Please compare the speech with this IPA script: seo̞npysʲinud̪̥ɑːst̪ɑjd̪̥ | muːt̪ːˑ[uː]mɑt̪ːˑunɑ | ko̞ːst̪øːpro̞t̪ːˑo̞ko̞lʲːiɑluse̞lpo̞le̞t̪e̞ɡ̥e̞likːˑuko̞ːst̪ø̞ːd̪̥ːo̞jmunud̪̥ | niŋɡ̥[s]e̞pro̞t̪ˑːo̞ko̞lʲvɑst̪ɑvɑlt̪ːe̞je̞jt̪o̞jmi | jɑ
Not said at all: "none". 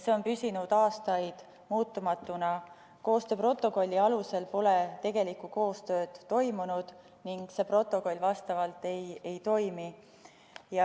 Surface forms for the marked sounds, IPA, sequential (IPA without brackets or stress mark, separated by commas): u, s